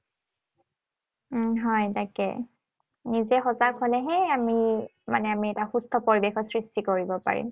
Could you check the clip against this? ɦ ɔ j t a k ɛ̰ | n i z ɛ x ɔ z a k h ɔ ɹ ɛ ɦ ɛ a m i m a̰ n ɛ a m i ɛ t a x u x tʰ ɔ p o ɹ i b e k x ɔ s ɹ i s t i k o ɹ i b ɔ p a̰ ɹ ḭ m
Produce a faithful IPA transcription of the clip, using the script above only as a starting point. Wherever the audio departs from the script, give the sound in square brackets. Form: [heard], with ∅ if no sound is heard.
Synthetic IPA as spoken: ɦ ɔ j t a k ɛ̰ | n i z ɛ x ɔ z a k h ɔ [l] ɛ ɦ ɛ a m i m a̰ n ɛ a m i ɛ t a x u [s] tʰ ɔ p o ɹ i b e [∅] x ɔ s ɹ i s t i k o ɹ i b ɔ p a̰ ɹ ḭ m